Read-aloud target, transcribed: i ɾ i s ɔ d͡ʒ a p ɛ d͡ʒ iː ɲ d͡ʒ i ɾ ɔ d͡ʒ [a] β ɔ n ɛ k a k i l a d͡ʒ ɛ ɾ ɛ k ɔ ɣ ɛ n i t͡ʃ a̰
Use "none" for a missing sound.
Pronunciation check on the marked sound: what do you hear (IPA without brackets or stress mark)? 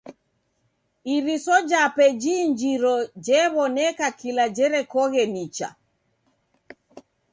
ɛ